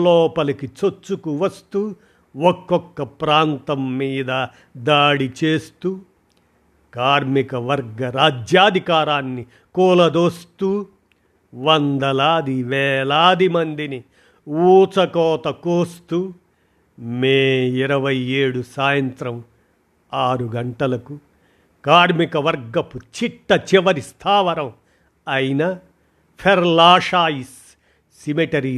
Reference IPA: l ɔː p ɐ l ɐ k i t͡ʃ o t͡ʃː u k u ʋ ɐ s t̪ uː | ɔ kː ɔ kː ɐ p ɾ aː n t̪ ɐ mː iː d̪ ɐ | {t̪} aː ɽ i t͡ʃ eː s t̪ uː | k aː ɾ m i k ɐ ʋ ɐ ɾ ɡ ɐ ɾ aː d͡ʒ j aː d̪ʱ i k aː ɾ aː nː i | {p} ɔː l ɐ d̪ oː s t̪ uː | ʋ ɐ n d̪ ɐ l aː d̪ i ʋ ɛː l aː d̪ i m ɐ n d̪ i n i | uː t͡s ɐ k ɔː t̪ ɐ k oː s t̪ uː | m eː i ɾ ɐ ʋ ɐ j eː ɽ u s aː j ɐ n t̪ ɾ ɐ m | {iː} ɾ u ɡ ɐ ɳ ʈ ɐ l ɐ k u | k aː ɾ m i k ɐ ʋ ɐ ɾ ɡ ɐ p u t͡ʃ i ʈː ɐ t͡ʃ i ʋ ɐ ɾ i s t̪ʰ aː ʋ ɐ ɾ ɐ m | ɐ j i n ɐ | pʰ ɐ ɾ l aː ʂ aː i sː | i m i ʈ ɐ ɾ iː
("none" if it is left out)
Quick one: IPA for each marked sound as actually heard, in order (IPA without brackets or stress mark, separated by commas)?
d̪, k, aː